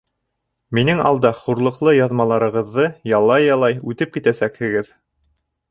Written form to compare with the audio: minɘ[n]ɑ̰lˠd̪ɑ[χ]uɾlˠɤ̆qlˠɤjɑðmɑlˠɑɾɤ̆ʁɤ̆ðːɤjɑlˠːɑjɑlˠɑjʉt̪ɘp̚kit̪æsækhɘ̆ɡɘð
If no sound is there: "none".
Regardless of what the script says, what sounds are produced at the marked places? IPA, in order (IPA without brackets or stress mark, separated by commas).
ŋ, χ